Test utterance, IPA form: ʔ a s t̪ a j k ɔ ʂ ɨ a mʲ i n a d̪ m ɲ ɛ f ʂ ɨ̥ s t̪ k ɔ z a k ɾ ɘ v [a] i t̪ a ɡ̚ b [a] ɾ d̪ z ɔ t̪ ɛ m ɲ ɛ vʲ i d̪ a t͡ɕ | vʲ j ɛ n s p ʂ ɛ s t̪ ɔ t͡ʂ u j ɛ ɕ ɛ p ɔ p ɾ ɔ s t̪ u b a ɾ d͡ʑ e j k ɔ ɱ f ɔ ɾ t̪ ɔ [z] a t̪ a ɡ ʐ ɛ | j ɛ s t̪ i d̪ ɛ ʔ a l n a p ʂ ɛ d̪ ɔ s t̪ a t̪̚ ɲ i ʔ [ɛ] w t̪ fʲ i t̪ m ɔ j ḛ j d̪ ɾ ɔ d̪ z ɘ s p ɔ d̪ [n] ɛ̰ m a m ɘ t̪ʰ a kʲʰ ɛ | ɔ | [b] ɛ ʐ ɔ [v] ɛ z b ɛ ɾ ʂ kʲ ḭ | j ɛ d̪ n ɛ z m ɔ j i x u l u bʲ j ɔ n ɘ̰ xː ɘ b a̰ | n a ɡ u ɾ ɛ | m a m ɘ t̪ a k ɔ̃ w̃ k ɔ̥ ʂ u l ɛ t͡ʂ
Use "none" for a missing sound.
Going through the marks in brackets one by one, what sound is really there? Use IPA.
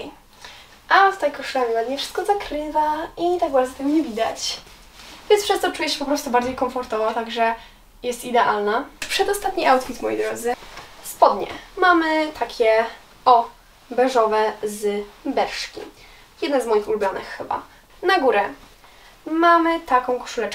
a, a, v, a, ɲ, b, v

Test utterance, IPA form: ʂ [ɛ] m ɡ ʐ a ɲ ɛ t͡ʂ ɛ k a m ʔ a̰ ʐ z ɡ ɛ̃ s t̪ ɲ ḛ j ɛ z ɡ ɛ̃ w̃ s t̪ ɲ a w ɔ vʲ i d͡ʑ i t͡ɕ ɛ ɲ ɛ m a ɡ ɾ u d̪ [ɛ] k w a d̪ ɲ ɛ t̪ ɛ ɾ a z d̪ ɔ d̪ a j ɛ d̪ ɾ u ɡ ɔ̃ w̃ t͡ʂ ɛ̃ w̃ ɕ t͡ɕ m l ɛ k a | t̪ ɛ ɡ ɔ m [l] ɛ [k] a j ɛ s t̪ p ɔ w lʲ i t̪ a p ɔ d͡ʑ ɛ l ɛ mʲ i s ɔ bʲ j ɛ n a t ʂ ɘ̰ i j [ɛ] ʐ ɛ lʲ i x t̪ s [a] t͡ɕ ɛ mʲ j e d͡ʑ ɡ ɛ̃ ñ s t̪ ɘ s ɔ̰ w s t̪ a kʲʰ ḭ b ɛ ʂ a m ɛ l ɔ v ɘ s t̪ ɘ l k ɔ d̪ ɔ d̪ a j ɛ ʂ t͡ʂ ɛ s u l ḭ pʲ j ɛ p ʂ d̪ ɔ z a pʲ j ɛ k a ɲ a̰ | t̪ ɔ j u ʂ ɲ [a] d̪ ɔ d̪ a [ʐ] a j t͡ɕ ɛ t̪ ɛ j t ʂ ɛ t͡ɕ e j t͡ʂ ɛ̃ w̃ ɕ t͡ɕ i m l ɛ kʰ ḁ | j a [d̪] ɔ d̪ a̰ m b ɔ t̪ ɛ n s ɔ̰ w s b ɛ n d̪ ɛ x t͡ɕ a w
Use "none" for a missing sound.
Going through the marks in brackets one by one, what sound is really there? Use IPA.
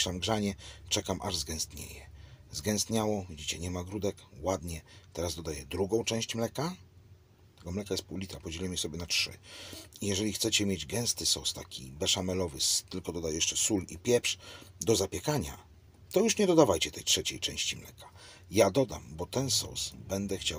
a, ɛ, l, k, ɛ, ɛ, ɛ, v, d̪

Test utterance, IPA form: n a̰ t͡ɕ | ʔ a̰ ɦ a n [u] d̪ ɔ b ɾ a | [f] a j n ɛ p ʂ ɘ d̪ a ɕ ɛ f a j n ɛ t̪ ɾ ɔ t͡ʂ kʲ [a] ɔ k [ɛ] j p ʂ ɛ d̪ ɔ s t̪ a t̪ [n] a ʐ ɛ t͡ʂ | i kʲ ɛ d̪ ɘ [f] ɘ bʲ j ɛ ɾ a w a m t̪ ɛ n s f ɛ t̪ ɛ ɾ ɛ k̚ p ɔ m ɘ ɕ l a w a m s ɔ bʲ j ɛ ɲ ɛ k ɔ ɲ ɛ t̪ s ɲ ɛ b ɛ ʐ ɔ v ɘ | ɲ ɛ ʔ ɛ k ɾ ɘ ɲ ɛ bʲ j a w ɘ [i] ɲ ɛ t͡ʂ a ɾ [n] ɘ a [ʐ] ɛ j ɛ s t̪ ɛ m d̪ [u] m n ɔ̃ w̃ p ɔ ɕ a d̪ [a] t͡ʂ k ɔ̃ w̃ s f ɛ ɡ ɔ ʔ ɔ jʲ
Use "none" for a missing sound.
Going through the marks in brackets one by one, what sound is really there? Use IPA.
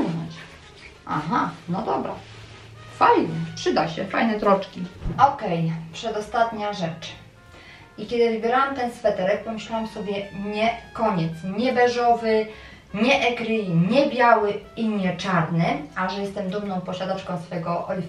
ɔ, f, i, ɛ, ɲ, v, i, n, ʐ, u, a

